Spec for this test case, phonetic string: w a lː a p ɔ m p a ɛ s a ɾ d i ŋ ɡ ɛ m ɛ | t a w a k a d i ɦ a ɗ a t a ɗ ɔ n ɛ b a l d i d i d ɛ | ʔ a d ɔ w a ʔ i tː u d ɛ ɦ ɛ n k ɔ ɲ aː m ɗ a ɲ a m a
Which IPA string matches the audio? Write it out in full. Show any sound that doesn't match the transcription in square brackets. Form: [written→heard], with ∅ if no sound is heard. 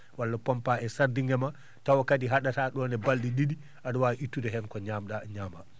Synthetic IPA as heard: w a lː a p ɔ m p a ɛ s a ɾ d i ŋ ɡ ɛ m [ɛ→a] | t a w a k a d i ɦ a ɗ a t a ɗ ɔ n ɛ b a l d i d i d [ɛ→i] | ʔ a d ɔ w a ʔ i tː u d ɛ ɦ ɛ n k ɔ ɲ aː m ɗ a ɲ a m a